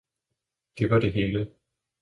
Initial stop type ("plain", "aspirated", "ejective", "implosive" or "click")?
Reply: plain